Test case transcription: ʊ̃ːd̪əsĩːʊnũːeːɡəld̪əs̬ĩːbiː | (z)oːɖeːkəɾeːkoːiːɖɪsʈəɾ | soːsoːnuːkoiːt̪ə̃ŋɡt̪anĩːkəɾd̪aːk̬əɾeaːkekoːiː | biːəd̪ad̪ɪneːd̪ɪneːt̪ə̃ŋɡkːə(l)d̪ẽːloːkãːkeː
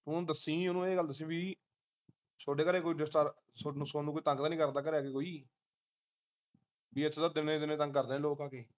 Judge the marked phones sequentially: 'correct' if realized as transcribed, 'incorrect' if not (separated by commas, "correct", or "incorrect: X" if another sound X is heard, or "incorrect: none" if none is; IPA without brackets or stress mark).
incorrect: s, incorrect: ɾ